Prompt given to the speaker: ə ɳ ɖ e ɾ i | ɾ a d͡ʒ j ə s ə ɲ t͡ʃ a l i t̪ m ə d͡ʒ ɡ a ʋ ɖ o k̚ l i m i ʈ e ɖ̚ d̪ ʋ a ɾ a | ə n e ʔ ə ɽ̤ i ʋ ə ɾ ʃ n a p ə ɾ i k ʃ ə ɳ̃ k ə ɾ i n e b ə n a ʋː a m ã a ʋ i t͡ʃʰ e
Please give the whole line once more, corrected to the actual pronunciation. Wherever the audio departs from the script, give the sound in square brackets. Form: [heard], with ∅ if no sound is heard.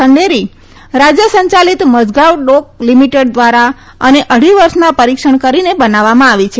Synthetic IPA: ə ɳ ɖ e ɾ i | ɾ a d͡ʒ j ə s ə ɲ t͡ʃ a l i t̪ m ə d͡ʒ ɡ a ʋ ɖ o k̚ l i m i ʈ e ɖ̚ d̪ ʋ a ɾ a | ə n e ʔ ə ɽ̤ i ʋ ə ɾ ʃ n a p ə ɾ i k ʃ ə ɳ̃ k ə ɾ i n e b ə n a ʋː a m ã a ʋ i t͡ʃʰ e